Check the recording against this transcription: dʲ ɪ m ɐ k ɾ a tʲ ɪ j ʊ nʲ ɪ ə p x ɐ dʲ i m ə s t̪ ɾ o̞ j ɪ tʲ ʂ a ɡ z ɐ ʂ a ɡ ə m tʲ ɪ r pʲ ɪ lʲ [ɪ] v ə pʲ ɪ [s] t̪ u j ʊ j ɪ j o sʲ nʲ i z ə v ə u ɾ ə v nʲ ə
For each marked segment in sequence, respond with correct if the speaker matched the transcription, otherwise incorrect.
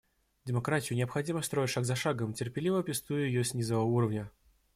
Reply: incorrect, correct

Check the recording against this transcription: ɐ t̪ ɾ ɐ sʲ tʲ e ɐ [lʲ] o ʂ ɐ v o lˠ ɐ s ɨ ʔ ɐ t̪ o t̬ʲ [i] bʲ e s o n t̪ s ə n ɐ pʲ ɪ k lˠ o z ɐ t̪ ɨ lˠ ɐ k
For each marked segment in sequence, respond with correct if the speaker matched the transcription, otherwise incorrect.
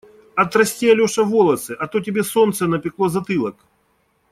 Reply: correct, incorrect

